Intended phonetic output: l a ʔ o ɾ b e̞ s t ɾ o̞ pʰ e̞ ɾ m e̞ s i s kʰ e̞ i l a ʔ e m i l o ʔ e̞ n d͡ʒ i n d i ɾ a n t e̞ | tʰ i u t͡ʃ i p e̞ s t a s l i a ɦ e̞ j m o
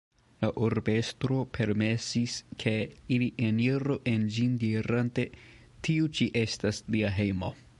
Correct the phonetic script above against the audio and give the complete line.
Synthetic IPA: l a ʔ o ɾ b e̞ s t ɾ o̞ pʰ e̞ ɾ m e̞ s i s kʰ e̞ i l i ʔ e n i ɾ o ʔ e̞ n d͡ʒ i n d i ɾ a n t e̞ | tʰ i u t͡ʃ i ʔ e̞ s t a s l i a ɦ e̞ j m o